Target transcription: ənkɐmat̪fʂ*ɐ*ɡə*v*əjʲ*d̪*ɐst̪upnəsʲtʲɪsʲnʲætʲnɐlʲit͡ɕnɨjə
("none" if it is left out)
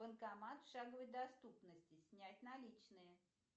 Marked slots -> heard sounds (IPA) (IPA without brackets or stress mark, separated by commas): a, v, d̪